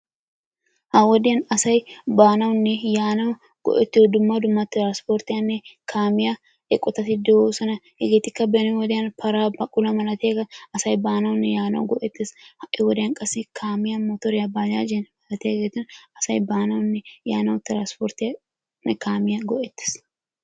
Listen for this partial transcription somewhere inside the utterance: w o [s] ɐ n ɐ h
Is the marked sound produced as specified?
yes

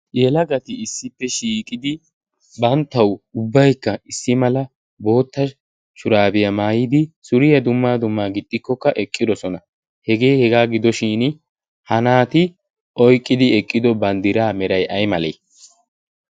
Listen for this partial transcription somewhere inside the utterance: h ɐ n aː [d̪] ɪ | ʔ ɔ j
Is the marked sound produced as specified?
no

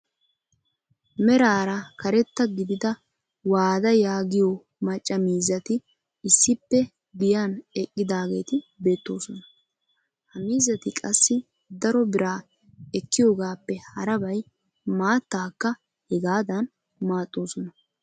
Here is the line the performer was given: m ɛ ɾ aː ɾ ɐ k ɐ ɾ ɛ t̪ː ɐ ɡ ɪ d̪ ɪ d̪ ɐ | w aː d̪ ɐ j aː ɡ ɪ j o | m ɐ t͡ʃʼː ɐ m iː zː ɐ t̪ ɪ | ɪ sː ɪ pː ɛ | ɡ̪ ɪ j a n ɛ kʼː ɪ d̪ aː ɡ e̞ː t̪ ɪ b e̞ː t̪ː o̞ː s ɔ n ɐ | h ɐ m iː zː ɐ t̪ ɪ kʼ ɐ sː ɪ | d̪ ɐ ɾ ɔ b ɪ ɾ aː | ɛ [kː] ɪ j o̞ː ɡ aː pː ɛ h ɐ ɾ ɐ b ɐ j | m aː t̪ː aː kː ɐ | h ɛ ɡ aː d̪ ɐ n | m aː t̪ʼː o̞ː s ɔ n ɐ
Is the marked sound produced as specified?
yes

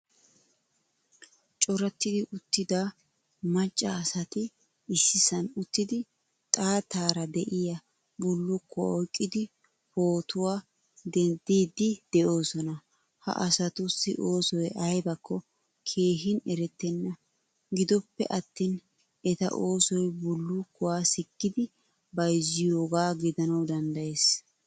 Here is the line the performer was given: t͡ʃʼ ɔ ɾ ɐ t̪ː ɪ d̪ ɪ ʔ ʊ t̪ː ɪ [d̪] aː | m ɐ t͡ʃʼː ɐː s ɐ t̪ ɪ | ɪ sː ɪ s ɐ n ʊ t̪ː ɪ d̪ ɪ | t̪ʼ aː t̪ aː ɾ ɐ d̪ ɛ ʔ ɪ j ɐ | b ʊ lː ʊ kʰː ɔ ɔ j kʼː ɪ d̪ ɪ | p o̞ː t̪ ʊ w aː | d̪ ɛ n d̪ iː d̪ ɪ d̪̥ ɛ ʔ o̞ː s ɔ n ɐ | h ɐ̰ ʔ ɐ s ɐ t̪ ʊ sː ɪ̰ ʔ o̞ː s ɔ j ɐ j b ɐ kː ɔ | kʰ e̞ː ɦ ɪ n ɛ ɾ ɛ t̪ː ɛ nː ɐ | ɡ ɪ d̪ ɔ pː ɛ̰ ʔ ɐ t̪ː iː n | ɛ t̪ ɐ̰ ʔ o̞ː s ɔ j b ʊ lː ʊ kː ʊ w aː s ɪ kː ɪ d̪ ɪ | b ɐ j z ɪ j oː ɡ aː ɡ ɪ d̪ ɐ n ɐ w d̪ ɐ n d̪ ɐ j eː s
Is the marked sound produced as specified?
yes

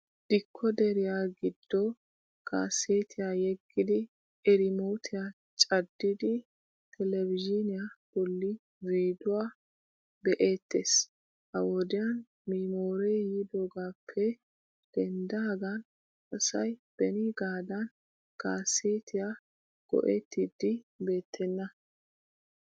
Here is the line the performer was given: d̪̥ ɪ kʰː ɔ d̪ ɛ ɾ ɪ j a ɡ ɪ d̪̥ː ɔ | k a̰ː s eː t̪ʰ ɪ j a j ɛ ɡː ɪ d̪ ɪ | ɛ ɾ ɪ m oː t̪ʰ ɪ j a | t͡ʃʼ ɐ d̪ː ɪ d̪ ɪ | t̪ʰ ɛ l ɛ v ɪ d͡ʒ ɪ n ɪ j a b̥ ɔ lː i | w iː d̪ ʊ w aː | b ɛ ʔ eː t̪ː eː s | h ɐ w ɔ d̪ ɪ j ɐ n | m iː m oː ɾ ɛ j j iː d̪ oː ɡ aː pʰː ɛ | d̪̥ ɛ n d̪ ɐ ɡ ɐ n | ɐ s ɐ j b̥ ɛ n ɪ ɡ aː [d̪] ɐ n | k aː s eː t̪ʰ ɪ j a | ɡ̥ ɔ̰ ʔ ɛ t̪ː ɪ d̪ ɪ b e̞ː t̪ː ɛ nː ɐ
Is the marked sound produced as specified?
yes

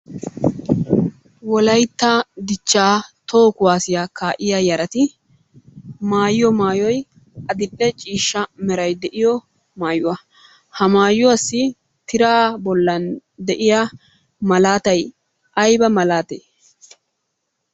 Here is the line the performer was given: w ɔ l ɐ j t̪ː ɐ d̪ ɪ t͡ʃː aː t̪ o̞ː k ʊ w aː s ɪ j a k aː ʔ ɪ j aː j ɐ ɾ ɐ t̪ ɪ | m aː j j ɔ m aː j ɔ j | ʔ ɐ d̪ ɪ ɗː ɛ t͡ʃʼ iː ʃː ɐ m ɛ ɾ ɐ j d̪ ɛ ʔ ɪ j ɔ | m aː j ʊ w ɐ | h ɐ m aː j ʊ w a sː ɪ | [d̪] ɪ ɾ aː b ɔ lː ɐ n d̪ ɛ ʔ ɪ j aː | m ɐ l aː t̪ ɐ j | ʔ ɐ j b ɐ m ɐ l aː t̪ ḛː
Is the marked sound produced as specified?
no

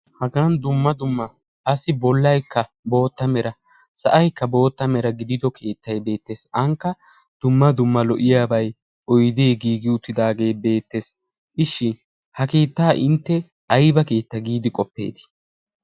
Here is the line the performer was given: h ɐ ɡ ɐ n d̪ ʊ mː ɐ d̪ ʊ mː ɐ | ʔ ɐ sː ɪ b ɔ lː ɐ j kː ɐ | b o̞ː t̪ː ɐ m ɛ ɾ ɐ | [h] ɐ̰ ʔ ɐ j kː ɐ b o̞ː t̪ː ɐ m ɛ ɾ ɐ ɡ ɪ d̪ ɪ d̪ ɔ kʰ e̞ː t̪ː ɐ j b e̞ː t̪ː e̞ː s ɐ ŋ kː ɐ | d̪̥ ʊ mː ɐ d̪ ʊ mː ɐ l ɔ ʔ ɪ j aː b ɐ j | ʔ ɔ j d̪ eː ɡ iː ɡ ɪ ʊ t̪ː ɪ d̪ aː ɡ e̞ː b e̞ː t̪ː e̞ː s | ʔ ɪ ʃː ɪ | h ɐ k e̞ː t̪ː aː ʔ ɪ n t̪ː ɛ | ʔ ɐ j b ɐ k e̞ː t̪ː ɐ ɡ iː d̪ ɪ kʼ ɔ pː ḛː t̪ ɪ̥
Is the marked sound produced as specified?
no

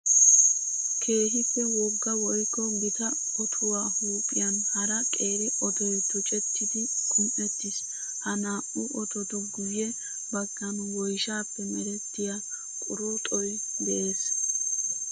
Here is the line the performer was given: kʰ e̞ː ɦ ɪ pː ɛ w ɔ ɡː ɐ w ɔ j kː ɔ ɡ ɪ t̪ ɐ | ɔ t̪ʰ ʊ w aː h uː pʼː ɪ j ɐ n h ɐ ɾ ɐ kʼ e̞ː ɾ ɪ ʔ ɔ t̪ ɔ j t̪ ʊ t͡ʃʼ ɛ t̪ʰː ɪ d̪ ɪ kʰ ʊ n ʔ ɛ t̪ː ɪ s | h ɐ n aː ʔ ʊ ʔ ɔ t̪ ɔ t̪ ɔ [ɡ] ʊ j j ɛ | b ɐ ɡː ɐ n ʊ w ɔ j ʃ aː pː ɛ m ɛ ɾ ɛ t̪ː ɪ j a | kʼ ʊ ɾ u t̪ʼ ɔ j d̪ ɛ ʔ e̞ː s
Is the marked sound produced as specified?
yes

